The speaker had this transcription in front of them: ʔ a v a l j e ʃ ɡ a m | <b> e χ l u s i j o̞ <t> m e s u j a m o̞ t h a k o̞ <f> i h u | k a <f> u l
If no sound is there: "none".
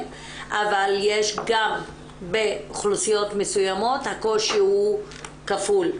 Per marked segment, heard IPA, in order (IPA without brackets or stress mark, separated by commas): b, t, ʃ, f